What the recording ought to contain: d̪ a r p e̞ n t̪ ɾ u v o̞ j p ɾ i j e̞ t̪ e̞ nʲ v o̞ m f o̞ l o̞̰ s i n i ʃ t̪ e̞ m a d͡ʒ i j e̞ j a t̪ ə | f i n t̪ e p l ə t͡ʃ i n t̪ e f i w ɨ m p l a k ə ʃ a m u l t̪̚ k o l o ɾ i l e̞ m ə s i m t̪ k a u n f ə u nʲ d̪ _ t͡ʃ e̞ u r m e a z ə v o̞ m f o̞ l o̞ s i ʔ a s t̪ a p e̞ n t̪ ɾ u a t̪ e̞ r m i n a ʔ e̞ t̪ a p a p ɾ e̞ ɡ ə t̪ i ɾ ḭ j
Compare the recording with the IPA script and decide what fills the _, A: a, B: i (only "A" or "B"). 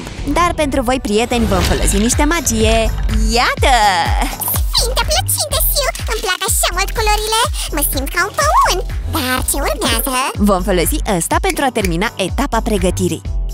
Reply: A